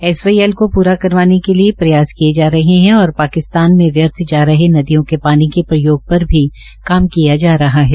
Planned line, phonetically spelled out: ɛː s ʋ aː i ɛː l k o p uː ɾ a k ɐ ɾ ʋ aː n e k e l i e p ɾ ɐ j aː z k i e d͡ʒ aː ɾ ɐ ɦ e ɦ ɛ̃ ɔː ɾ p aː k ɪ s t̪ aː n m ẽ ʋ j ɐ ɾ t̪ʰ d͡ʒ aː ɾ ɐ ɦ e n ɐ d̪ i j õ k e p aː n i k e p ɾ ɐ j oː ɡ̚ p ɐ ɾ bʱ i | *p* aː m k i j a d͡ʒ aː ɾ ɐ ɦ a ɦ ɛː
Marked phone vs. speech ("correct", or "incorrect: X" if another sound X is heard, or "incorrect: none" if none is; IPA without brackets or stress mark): incorrect: k